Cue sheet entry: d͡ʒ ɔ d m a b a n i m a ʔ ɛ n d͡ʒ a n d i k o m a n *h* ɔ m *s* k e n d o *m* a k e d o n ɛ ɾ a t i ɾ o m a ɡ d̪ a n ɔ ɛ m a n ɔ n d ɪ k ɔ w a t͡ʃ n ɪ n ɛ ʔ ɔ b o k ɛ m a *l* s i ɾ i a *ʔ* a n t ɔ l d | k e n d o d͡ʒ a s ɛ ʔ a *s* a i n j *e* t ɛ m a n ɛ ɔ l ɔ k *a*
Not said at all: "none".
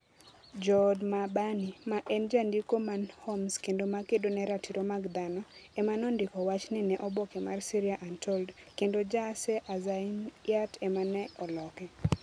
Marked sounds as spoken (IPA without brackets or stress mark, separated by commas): h, s, m, r, ʔ, z, a, ɛ